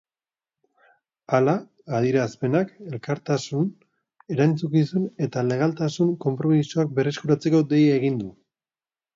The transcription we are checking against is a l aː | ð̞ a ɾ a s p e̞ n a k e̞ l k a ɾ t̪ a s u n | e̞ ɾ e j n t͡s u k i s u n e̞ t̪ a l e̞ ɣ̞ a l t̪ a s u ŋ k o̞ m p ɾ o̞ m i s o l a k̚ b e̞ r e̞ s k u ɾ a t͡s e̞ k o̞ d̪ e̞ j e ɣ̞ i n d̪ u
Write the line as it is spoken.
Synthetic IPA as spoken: a l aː | ð̞ i ɾ a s p e̞ n a k e̞ l k a ɾ t̪ a s u n | e̞ ɾ a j n t͡s u k i s u n e̞ t̪ a l e̞ ɣ̞ a l t̪ a s u ŋ k o̞ m p ɾ o̞ m i s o a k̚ b e̞ r e̞ s k u ɾ a t͡s e̞ k o̞ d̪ e̞ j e ɣ̞ i n d̪ u